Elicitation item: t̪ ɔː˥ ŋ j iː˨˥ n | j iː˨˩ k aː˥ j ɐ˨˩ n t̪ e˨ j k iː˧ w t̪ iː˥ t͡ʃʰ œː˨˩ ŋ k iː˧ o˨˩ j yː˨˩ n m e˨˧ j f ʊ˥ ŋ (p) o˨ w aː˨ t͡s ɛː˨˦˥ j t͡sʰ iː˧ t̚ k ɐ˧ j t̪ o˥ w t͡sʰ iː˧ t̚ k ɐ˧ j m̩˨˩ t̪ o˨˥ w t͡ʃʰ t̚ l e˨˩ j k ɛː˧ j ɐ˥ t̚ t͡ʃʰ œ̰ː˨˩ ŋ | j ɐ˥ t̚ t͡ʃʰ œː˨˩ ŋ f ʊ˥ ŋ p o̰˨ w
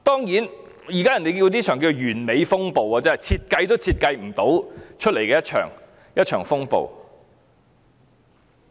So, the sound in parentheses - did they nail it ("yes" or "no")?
yes